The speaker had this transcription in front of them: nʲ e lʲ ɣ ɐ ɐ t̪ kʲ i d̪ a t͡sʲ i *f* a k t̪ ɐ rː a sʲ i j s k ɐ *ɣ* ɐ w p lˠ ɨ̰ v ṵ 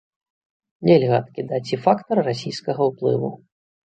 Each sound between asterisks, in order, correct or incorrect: correct, correct

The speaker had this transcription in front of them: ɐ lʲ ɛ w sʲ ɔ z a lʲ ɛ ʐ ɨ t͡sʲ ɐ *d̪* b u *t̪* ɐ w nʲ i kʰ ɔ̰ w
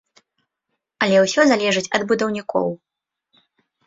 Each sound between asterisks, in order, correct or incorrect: correct, incorrect: d̪

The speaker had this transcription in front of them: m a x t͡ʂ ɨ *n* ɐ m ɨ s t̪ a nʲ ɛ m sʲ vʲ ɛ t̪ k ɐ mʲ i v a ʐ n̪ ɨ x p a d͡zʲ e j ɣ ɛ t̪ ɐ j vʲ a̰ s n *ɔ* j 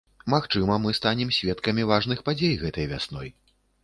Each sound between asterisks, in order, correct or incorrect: incorrect: m, correct

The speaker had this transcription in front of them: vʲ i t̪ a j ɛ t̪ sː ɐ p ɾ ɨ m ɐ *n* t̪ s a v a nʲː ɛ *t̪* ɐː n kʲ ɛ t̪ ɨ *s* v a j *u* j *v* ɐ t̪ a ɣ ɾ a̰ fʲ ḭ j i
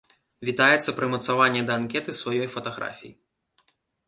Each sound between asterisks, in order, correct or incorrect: incorrect: none, incorrect: d̪, correct, incorrect: ɔ, incorrect: f

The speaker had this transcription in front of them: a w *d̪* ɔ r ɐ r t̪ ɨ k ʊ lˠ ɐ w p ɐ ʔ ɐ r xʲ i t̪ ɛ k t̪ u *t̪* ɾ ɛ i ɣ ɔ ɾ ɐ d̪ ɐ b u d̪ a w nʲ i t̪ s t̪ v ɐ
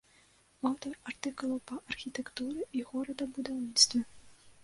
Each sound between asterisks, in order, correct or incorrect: incorrect: t̪, incorrect: none

